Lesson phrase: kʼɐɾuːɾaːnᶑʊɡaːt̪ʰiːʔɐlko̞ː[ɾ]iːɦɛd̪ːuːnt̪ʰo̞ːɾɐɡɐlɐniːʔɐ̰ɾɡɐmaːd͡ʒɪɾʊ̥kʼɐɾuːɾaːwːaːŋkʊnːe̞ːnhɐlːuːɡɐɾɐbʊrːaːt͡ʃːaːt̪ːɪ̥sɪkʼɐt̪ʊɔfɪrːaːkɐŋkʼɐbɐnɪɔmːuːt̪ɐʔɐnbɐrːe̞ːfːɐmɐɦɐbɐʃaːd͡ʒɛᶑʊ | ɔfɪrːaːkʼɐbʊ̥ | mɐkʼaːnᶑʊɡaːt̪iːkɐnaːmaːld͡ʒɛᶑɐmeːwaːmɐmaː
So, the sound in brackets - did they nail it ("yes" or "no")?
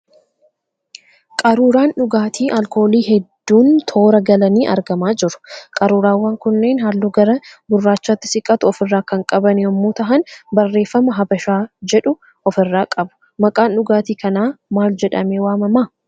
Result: no